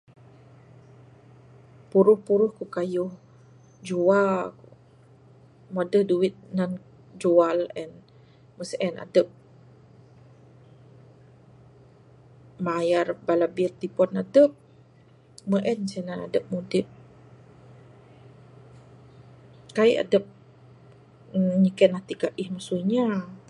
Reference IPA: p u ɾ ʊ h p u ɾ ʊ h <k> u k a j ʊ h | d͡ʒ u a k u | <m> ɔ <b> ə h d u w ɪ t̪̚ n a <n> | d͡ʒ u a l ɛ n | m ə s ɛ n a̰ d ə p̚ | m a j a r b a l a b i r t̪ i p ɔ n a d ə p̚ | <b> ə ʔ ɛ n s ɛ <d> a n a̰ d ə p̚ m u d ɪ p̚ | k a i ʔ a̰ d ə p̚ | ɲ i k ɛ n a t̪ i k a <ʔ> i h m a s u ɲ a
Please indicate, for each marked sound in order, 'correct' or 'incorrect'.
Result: correct, correct, incorrect, correct, incorrect, incorrect, correct

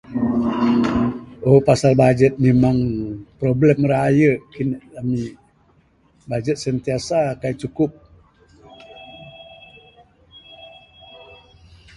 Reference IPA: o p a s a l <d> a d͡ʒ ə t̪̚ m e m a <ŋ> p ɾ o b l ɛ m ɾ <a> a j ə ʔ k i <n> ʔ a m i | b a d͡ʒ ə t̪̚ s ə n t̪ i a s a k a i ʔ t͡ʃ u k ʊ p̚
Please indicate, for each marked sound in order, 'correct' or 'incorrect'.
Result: incorrect, correct, correct, correct

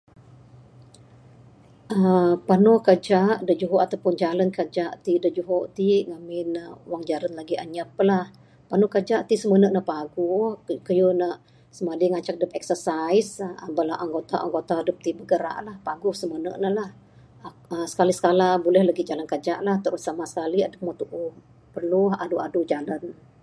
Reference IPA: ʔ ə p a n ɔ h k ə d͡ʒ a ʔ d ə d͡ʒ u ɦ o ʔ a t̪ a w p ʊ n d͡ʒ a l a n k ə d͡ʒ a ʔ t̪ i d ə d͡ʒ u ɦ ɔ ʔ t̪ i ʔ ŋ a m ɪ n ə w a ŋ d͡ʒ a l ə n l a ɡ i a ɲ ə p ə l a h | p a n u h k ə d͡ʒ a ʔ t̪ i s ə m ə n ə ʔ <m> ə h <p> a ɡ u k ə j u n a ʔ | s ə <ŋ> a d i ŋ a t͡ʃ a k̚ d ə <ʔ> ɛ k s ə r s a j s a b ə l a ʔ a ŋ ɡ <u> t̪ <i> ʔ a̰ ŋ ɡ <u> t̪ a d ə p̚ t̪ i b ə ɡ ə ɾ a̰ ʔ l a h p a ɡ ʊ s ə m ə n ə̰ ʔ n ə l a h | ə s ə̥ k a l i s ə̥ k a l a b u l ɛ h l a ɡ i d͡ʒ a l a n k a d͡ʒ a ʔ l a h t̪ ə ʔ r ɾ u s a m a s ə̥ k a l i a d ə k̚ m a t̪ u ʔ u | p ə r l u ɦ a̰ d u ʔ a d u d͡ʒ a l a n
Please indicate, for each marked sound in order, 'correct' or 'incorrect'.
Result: incorrect, correct, incorrect, incorrect, incorrect, incorrect, incorrect

